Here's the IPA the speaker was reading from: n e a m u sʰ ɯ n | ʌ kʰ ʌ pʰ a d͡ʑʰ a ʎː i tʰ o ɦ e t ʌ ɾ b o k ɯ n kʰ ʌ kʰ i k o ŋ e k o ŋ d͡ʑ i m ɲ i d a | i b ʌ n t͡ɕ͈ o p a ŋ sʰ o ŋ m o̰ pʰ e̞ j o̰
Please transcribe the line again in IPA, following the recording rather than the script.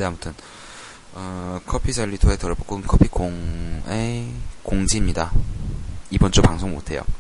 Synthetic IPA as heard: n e a m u tʰ ɯ n | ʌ kʰ ʌ pʰ i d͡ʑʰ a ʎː i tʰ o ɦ e t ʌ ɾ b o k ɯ n kʰ ʌ pʰ i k o ŋ e k o ŋ d͡ʑ i m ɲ i d a | i b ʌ n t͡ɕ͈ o p a ŋ sʰ o ŋ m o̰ tʰ e̞ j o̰